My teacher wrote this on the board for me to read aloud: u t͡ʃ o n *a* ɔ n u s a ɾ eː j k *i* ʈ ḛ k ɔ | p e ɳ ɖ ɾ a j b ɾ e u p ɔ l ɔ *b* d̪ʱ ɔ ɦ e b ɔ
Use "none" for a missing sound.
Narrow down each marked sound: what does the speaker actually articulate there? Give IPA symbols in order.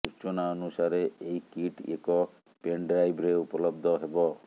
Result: a, i, b

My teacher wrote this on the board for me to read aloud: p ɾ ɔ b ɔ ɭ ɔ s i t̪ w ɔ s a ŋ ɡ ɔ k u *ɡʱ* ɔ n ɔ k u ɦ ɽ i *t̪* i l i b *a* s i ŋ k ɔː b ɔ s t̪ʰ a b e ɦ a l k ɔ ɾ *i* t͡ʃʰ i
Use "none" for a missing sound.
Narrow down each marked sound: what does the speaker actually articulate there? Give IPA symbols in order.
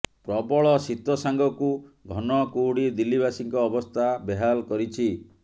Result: ɡʱ, d̪, a, i

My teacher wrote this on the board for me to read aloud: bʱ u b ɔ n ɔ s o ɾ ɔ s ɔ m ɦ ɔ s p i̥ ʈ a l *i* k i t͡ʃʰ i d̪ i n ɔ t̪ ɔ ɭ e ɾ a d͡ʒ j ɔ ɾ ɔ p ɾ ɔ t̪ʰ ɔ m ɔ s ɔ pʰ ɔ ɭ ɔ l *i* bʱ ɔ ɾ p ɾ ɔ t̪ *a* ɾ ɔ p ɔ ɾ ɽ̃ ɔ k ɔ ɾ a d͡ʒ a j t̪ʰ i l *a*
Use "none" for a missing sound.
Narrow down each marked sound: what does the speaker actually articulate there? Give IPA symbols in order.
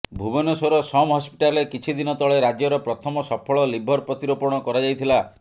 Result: e, i, i, a

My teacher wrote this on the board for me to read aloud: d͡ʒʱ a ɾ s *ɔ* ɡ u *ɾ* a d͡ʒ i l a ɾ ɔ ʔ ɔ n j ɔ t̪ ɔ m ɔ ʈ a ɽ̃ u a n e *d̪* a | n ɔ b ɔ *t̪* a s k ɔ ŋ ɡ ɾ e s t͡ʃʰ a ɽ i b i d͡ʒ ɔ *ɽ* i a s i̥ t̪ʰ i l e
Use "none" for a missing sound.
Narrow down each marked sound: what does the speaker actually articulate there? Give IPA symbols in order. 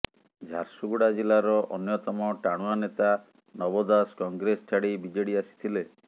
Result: u, ɽ, t̪, d̪, ɽ

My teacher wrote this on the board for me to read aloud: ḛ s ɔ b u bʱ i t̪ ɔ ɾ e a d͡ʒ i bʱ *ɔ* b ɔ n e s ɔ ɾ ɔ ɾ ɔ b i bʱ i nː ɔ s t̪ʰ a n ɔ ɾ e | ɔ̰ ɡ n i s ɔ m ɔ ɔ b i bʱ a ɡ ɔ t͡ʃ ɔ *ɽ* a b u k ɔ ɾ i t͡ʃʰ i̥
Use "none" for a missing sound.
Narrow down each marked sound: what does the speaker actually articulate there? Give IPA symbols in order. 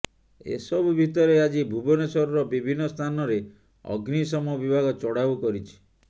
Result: u, ɽ

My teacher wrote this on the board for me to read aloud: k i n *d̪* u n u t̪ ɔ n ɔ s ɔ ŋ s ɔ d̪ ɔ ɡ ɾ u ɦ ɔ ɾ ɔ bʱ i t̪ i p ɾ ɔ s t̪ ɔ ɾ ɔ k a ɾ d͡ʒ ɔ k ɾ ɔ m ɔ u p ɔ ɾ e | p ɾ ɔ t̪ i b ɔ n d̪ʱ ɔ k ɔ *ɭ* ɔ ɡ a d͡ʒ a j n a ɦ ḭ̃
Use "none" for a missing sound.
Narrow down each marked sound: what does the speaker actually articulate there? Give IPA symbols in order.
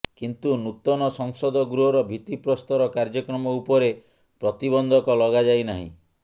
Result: t̪, l

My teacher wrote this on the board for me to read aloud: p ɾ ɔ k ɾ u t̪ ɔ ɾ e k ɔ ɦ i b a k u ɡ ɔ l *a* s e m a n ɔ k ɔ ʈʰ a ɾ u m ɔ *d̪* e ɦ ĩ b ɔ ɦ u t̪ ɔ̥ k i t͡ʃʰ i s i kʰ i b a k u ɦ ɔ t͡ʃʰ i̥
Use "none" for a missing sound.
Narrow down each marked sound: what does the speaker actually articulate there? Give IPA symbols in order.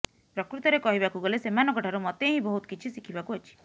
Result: e, t̪

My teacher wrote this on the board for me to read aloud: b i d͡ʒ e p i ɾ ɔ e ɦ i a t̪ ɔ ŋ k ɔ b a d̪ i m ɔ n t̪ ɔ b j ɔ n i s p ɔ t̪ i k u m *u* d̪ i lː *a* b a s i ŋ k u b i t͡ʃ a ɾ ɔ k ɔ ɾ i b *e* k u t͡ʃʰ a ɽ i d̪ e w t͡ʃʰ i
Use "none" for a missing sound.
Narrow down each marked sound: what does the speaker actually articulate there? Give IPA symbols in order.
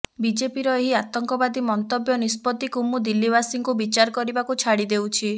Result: u, i, a

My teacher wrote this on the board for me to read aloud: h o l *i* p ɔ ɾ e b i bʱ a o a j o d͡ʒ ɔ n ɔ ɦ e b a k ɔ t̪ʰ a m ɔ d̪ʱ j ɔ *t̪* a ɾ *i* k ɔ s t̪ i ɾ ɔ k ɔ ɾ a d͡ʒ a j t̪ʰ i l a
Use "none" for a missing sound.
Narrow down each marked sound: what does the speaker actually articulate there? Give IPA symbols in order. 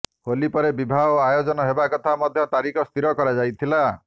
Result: i, t̪, i

